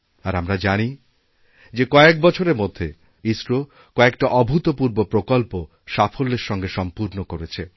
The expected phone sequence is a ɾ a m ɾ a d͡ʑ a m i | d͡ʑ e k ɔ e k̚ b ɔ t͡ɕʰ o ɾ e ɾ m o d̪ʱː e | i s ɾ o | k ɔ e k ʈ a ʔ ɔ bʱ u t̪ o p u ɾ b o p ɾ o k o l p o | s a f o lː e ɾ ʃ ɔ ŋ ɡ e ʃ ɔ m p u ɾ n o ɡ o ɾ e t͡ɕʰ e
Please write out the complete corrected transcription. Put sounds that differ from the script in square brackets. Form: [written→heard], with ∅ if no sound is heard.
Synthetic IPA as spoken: a ɾ a m ɾ a d͡ʑ a [m→n] i | d͡ʑ e k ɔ e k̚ b ɔ t͡ɕʰ o ɾ e ɾ m o d̪ʱː e | i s ɾ o | k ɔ e k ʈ a ʔ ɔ bʱ u t̪ o p u ɾ b o p ɾ o k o l p o | [s→ʃ] a f o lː e ɾ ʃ ɔ ŋ ɡ e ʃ ɔ m p u ɾ n o [ɡ→k] o ɾ e t͡ɕʰ e